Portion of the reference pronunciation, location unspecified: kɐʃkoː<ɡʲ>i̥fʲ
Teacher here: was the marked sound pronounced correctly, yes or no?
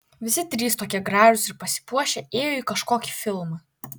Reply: no